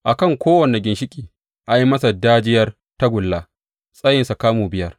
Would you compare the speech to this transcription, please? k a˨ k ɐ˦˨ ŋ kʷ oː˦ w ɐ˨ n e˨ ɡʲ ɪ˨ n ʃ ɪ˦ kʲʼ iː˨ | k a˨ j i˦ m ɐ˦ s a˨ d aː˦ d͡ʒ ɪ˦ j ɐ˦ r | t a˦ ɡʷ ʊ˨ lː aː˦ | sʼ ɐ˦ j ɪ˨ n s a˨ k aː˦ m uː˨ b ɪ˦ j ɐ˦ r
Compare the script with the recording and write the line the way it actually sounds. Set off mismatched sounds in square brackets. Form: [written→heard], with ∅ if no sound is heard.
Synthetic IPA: [k→ʔ] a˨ k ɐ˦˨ ŋ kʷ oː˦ w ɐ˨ n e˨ ɡʲ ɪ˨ n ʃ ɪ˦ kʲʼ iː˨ | [k→ʔ] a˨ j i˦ m ɐ˦ s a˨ d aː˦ d͡ʒ ɪ˦ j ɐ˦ r | t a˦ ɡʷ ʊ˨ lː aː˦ | sʼ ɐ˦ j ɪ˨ n s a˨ k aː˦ m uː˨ b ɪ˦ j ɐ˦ r

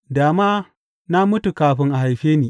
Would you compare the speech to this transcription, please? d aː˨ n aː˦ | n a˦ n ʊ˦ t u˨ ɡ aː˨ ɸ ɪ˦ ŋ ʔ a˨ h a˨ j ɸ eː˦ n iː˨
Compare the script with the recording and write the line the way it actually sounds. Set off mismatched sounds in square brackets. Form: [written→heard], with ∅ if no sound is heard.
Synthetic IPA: d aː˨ [n→m] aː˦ | n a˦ [n→m] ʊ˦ t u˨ [ɡ→k] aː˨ ɸ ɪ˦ ŋ ʔ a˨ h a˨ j ɸ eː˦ n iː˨

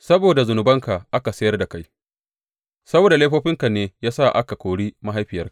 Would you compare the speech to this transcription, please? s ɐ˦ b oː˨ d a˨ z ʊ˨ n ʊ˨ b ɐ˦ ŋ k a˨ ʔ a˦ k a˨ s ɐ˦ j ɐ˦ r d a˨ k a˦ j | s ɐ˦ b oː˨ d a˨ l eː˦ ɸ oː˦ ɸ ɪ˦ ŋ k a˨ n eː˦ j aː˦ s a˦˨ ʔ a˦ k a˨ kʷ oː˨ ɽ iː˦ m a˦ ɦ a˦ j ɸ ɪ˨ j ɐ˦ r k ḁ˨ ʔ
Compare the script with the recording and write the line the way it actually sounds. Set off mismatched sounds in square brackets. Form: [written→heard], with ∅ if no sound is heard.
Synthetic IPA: s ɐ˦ b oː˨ d a˨ z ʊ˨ n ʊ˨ b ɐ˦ ŋ k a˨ ʔ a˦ k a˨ s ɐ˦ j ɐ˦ r d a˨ k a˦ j | s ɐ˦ b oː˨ d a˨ l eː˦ ɸ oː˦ ɸ ɪ˦ ŋ k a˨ n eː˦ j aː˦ s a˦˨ ʔ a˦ k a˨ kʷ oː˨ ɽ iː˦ m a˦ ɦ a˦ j ɸ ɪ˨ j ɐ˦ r k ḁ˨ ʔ

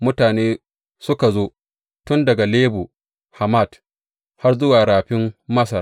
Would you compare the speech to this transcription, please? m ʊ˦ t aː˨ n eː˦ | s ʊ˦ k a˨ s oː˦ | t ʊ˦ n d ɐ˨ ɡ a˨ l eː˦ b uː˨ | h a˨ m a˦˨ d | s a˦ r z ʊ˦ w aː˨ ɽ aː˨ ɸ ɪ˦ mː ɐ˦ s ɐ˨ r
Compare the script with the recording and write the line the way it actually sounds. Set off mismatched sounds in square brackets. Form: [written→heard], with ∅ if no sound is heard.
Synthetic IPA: m ʊ˦ t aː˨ n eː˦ | s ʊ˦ k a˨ [s→z] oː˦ | t ʊ˦ n d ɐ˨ ɡ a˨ l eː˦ b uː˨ | h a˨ m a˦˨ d | [s→h] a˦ r z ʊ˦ w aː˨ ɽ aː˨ ɸ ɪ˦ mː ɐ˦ s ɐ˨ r

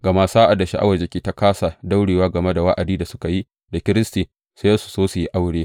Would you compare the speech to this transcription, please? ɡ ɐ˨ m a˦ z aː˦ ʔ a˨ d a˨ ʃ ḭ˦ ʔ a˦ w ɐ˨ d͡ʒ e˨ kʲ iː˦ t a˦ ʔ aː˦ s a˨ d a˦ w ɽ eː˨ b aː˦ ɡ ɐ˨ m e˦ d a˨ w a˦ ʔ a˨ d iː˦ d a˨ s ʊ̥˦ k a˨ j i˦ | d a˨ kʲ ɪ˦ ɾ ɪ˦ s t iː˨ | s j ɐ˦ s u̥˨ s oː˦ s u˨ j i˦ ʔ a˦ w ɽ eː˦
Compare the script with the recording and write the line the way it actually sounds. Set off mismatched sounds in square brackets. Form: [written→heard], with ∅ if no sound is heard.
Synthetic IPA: ɡ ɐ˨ m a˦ [z→s] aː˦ ʔ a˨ d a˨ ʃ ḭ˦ ʔ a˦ w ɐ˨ d͡ʒ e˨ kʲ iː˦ t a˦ [ʔ→k] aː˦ s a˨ d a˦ w ɽ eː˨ [b→w] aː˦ ɡ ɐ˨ m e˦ d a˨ w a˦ ʔ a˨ d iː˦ d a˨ s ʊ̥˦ k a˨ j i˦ | d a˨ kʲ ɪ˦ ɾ ɪ˦ s t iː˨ | s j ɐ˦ s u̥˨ s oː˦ s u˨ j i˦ ʔ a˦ w ɽ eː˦

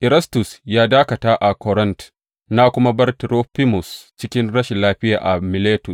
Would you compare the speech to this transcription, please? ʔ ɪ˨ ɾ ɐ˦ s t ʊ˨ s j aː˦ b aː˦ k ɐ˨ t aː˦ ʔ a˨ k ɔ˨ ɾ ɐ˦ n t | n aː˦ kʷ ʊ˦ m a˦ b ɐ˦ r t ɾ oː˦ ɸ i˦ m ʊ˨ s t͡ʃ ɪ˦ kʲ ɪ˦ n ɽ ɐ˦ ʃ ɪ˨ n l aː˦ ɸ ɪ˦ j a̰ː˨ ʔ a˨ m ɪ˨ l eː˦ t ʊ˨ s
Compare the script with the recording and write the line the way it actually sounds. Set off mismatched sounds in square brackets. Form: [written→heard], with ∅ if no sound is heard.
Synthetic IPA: ʔ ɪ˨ ɾ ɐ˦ s t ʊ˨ s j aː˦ [b→d] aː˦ k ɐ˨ t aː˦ ʔ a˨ k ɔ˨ ɾ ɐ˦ n t | n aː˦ kʷ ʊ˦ m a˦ b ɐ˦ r t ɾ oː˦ ɸ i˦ m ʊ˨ s t͡ʃ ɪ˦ kʲ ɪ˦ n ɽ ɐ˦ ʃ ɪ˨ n l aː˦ ɸ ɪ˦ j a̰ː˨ ʔ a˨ m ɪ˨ l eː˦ t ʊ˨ s

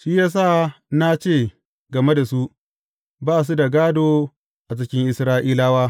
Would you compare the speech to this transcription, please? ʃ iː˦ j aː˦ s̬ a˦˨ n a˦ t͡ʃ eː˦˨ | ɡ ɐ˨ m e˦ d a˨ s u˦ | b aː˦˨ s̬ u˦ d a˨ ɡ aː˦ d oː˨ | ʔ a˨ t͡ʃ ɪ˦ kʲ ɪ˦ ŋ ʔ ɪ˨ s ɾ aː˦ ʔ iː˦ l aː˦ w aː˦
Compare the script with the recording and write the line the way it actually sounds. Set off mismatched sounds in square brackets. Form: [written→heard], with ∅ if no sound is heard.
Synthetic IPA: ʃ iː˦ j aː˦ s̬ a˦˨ n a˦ t͡ʃ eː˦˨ | ɡ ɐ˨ m e˦ d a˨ s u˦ | b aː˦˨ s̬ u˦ d a˨ ɡ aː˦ d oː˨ | ʔ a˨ t͡ʃ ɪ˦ kʲ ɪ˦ ŋ ʔ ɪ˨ s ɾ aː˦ ʔ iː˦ l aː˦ w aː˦

